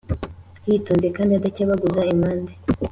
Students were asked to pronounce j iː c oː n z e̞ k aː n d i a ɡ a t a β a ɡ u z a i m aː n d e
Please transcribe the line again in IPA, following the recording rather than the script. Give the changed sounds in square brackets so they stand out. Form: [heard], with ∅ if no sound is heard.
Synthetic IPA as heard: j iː [t] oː n z e̞ k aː n d i a [d] a [c] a β a ɡ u z a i m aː n d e